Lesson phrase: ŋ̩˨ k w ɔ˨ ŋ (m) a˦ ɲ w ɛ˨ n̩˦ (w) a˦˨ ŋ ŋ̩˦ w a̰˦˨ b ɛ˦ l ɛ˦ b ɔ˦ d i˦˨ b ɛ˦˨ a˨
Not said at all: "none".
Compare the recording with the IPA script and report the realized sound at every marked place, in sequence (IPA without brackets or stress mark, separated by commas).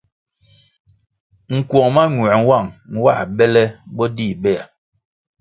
m, w